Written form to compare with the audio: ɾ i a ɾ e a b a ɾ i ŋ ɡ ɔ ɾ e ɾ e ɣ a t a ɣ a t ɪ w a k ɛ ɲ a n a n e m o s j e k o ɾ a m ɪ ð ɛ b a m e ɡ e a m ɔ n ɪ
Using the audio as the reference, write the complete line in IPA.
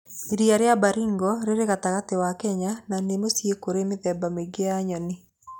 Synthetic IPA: ɾ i a ɾ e a b a ɾ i ŋ ɡ ɔ ɾ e ɾ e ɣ a t a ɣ a t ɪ w a k ɛ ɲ a n a n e m o s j e k o ɾ e m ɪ ð ɛ b a m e ɡ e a ɲ ɔ n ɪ